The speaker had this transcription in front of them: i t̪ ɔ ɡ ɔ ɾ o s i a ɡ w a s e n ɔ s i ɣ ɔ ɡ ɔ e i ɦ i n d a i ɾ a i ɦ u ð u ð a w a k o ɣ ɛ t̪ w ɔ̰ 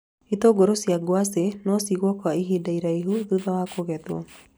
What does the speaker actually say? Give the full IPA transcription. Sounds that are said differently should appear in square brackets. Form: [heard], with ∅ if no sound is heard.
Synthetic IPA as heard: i t̪ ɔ ɡ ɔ ɾ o s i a ɡ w a s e n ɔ s i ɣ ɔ [k] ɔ [a] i ɦ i [∅] d a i ɾ a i ɦ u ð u ð a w a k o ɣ ɛ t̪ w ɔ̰